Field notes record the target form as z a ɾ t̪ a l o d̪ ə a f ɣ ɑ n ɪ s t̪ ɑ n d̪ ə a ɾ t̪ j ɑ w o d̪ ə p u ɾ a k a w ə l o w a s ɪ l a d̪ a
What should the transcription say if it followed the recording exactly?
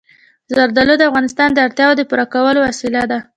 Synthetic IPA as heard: z a ɾ d̪ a l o d̪ ə a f ɣ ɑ n ɪ s t̪ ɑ n d̪ ə a ɾ t̪ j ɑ w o d̪ ə p u ɾ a k a w ə l o w a s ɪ l a d̪ a

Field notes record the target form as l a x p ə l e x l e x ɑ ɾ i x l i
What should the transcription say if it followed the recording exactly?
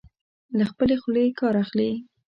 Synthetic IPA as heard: l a x p ə l e x l e k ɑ ɾ a x l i

